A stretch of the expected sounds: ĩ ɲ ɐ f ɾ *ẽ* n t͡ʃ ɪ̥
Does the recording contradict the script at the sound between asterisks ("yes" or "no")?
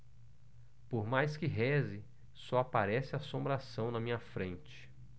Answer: no